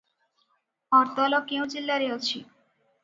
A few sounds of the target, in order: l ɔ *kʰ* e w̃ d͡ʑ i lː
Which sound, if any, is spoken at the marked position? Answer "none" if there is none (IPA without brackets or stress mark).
k